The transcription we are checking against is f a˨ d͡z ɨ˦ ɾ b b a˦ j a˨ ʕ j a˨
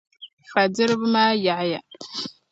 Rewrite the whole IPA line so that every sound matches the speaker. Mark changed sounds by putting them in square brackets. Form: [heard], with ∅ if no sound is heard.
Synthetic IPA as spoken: f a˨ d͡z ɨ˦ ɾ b [m] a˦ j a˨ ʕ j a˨